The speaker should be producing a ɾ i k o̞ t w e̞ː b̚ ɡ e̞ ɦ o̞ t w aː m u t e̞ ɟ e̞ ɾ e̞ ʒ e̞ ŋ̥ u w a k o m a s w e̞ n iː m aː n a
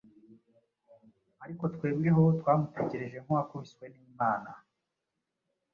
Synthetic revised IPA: a ɾ i k o̞ t w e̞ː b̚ ɡ e̞ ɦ o̞ t w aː m u t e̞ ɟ e̞ ɾ e̞ ʒ e̞ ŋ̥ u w a k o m i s w e̞ n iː m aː n a